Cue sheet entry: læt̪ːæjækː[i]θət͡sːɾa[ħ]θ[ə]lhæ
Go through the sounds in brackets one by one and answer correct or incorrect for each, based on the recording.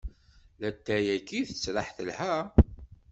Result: correct, correct, correct

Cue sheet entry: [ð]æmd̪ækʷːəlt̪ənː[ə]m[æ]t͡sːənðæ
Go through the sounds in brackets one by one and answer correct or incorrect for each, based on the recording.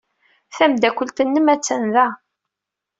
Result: incorrect, correct, correct

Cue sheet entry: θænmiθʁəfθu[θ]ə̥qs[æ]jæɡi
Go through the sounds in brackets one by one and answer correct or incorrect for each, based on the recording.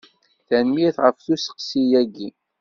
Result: incorrect, incorrect

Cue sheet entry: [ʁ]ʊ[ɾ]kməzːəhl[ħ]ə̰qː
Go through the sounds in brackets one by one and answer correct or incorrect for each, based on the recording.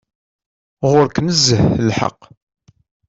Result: correct, correct, correct

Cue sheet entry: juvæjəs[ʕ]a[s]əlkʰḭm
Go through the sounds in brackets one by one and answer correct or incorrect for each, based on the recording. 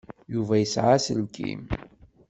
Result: correct, correct

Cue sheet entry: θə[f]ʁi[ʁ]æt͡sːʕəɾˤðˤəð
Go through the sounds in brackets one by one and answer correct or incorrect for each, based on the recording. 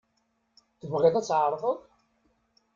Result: incorrect, incorrect

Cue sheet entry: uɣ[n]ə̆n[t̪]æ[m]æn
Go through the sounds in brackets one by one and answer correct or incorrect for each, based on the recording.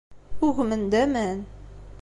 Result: incorrect, incorrect, correct

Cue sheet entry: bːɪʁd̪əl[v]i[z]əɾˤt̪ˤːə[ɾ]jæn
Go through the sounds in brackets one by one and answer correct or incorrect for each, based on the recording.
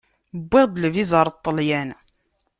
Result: correct, correct, incorrect

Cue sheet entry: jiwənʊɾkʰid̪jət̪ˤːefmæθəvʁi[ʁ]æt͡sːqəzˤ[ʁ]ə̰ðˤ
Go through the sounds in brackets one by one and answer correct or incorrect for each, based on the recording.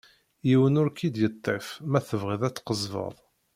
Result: incorrect, incorrect

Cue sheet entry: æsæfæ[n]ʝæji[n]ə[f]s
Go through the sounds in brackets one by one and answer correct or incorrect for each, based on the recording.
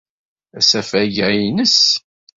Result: incorrect, correct, incorrect

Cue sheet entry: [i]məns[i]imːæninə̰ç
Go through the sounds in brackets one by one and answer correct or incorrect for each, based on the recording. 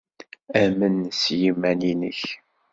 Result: incorrect, incorrect

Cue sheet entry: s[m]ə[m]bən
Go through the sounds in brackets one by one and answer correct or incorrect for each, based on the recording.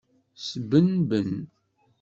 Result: incorrect, incorrect

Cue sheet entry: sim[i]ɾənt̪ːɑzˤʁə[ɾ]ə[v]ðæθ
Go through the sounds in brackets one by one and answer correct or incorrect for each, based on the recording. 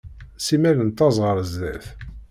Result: incorrect, correct, incorrect

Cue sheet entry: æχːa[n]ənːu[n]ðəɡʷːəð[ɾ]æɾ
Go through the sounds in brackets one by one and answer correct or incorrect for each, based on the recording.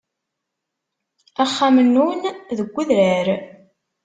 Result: incorrect, correct, correct

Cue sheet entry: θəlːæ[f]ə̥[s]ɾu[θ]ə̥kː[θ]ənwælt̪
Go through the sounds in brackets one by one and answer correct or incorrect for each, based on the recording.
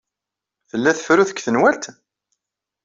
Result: incorrect, incorrect, correct, correct

